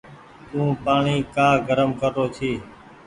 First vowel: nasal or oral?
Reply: nasal